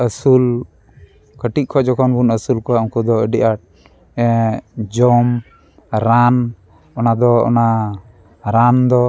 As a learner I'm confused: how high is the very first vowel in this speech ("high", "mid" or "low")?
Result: mid